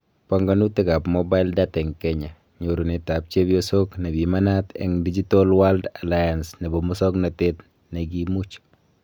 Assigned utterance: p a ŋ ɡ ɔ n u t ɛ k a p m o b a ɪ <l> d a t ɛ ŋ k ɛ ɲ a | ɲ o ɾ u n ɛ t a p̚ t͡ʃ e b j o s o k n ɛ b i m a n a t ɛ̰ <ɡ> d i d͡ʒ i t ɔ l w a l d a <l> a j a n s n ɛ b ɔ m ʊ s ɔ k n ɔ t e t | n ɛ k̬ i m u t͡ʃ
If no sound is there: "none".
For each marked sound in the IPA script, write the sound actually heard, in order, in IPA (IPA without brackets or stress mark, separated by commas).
l, ŋ, l